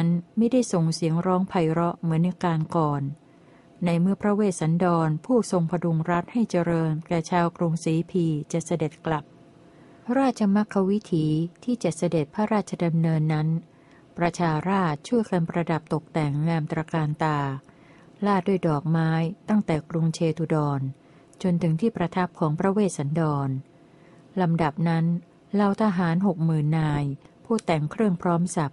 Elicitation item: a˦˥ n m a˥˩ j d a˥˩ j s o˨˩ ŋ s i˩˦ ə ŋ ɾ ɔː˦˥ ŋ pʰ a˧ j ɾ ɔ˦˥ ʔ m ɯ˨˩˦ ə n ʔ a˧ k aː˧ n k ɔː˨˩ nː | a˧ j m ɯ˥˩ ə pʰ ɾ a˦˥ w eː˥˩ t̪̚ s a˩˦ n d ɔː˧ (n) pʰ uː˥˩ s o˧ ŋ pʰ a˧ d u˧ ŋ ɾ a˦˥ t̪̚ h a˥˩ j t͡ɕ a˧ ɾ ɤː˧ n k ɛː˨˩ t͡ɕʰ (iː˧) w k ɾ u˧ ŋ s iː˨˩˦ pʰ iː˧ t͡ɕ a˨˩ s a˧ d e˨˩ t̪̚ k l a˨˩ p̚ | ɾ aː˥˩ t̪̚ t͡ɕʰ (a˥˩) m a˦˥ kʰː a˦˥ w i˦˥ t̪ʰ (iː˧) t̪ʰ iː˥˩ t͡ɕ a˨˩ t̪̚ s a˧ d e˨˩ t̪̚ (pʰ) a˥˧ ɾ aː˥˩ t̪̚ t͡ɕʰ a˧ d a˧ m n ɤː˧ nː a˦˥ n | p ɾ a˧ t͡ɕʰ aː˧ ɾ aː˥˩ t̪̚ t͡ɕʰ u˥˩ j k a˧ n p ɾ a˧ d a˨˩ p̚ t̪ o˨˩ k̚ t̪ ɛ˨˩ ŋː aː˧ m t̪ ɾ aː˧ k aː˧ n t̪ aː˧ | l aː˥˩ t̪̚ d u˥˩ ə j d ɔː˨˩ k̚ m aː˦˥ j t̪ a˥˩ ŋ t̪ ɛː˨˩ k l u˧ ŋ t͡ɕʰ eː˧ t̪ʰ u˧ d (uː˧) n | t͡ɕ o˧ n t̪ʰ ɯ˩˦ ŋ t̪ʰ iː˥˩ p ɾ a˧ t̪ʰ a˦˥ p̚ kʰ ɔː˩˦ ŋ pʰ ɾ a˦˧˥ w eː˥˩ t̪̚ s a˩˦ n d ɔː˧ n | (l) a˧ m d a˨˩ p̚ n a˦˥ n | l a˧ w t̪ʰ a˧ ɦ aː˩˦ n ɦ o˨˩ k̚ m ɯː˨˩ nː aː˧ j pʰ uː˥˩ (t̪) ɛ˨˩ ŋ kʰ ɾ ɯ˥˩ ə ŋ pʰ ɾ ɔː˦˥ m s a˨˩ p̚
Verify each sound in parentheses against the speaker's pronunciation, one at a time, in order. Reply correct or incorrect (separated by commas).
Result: correct, incorrect, incorrect, incorrect, correct, incorrect, correct, correct